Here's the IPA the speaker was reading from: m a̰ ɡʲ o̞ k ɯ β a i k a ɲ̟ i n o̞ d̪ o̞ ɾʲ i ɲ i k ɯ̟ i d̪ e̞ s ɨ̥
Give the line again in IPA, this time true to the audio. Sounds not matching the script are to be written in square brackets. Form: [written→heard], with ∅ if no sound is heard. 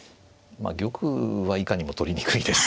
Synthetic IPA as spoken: m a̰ ɡʲ o̞ k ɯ β a i k a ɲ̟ i [n→m] o̞ [d̪→t̪] o̞ ɾʲ i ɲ i k ɯ̟ i d̪ e̞ s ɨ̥